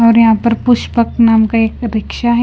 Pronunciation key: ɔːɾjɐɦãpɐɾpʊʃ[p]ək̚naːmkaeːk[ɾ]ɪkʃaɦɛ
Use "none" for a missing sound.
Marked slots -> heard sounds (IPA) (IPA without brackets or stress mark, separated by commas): p, ɾ